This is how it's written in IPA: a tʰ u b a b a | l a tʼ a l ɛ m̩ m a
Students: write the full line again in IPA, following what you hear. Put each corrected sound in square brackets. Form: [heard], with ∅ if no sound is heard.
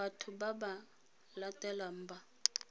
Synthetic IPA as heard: a tʰ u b a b a | l a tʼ [ɛ] l [a] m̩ [b] a